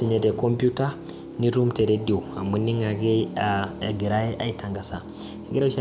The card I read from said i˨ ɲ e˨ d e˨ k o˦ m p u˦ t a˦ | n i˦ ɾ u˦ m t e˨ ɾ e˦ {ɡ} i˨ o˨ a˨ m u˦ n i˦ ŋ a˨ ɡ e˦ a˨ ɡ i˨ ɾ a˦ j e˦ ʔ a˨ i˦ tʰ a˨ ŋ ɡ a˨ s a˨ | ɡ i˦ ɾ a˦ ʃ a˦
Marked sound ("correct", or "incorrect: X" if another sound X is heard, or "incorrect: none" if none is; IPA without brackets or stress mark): incorrect: d